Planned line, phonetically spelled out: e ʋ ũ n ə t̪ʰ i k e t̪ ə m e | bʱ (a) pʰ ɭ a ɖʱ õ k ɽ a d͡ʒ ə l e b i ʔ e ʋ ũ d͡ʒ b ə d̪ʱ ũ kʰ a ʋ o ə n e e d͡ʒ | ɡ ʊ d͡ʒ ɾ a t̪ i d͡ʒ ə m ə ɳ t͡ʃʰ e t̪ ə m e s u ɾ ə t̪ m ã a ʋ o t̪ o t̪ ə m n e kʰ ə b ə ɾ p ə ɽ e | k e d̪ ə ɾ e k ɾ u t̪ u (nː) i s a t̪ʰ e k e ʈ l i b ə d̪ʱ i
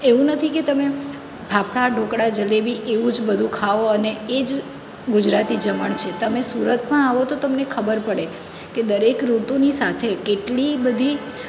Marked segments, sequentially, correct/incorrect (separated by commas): correct, incorrect